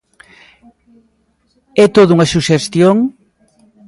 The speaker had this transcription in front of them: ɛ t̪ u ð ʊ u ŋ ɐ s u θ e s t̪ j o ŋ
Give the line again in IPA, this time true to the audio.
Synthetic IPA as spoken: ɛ t̪ o ð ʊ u ŋ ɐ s u ʃ e s t̪ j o ŋ